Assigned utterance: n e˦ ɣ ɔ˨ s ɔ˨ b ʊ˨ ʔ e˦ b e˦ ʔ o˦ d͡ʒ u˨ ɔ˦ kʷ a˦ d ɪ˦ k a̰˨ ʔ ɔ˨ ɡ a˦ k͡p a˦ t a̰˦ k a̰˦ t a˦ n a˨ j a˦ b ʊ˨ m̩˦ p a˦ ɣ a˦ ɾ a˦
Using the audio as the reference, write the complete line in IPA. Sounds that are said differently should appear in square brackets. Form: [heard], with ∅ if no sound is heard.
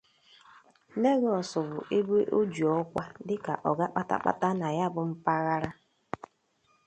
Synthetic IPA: n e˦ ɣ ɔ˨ s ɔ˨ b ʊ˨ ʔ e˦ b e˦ ʔ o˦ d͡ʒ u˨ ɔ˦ kʷ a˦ d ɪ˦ k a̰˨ ʔ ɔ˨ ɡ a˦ k͡p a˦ t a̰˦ [k͡p] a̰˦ t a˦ n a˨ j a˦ b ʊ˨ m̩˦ p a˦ ɣ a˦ ɾ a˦

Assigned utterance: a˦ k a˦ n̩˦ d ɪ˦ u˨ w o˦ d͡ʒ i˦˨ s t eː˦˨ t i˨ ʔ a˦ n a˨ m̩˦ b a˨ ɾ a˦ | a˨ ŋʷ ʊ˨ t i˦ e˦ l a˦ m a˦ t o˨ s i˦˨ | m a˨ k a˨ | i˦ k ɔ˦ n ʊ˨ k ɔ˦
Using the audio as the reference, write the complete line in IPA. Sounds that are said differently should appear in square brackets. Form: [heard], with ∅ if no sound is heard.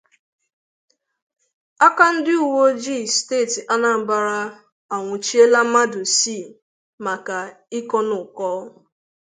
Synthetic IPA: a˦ k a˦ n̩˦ d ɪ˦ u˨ w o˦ d͡ʒ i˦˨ s t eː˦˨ t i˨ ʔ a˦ n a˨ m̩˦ b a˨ ɾ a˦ | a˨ ŋʷ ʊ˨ [t͡ʃ] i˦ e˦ l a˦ m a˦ [d] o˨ s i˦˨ | m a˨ k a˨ | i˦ k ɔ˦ n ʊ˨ k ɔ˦

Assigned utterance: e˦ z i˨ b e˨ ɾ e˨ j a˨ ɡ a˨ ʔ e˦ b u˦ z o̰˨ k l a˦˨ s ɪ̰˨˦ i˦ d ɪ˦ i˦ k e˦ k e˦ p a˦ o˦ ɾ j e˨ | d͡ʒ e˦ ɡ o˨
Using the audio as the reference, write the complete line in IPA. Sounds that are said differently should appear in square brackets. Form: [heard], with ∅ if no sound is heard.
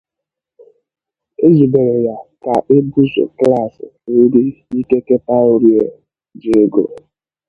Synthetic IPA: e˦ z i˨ b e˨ ɾ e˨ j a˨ [k] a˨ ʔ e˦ b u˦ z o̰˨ k l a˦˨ s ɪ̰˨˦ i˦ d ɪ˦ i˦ k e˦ k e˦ p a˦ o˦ ɾ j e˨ | d͡ʒ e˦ ɡ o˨

